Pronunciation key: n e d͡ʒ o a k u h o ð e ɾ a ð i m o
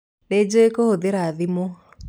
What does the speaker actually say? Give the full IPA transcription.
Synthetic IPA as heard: n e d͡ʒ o e k o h o ð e ɾ a ð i m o